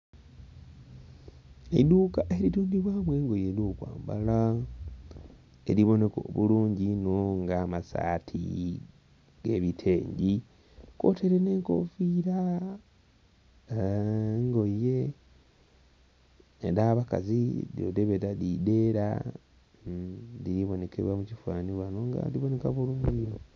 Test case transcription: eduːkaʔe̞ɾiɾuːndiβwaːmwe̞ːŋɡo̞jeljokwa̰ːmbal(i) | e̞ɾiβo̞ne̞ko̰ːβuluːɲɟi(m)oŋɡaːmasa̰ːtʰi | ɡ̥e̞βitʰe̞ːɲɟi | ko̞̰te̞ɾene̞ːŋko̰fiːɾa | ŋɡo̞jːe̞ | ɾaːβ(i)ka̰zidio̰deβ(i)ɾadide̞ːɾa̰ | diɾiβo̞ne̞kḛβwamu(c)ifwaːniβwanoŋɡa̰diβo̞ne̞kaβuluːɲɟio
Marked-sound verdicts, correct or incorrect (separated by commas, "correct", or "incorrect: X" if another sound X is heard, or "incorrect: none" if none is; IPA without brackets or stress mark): incorrect: a, incorrect: n, incorrect: a, incorrect: e, correct